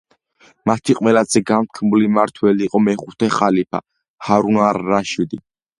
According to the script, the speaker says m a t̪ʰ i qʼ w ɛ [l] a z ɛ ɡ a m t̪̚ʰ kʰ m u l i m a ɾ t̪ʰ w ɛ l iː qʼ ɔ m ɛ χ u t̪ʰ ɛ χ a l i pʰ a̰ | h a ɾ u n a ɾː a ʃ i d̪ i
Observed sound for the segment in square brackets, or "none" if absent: l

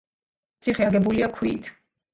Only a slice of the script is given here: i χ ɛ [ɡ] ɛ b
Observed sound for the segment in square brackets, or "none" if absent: ɡ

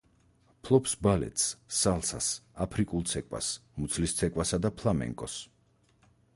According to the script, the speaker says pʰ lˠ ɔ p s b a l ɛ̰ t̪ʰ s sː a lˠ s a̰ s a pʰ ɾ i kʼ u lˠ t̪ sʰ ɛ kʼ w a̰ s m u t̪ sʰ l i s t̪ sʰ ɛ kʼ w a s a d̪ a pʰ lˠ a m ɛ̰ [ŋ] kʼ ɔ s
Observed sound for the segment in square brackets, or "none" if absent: ŋ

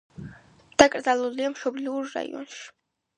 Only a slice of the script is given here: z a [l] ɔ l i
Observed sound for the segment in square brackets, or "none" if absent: l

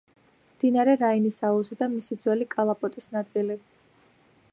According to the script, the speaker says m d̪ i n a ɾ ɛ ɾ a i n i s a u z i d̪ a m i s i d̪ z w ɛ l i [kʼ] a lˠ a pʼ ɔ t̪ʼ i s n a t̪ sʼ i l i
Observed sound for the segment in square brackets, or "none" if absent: kʼ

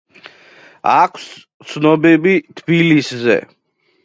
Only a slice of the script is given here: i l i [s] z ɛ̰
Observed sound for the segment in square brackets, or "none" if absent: s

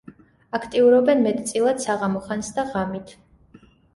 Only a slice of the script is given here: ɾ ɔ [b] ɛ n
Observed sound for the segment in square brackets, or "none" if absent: b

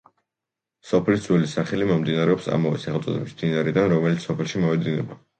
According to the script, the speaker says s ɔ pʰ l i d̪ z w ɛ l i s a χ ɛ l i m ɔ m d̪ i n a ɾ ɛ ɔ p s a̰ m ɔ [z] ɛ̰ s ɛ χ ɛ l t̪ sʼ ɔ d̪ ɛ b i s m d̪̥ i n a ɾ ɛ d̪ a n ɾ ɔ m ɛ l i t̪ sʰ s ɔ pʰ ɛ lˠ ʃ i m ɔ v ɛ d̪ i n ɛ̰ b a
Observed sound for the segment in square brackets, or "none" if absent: v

